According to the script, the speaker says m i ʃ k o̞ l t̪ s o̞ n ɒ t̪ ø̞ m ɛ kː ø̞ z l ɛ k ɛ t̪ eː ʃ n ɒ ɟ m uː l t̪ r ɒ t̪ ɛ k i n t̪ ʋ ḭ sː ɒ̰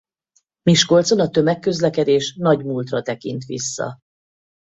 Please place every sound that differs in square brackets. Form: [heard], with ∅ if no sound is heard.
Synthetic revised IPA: m i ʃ k o̞ l t̪ s o̞ n ɒ t̪ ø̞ m ɛ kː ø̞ z l ɛ k ɛ [d̪] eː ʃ n ɒ ɟ m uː l t̪ r ɒ t̪ ɛ k i n t̪ ʋ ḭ sː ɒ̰